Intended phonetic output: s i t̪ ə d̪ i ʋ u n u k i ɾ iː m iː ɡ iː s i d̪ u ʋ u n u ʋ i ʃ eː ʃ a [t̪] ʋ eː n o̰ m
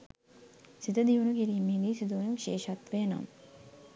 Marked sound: correct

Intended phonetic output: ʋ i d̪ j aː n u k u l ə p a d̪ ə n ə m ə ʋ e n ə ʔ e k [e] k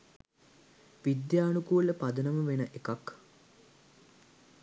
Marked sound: incorrect: a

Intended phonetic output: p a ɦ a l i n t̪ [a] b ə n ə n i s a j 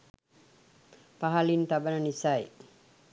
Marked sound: correct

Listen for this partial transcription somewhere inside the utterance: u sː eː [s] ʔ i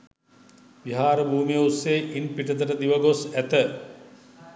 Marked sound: incorrect: none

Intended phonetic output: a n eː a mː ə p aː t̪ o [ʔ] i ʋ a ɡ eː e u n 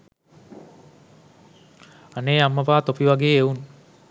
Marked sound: incorrect: p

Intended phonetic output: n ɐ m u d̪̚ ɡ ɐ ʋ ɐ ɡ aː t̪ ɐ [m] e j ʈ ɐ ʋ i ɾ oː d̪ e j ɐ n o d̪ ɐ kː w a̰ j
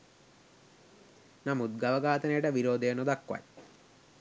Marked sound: incorrect: n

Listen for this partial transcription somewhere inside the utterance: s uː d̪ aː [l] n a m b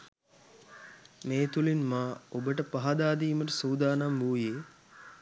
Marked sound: incorrect: none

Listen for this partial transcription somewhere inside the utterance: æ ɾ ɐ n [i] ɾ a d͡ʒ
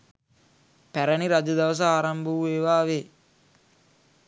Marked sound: correct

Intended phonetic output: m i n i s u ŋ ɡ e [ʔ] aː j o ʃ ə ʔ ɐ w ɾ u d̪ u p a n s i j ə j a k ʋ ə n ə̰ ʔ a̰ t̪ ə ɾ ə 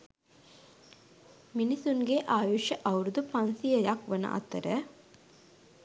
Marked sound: correct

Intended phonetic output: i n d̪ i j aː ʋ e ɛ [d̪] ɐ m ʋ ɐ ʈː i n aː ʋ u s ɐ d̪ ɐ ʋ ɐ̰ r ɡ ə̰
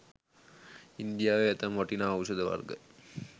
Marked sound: incorrect: t̪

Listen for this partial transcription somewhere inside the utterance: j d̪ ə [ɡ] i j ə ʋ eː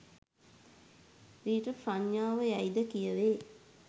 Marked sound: incorrect: k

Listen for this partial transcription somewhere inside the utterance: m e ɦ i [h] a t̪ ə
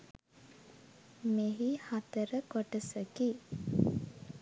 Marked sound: correct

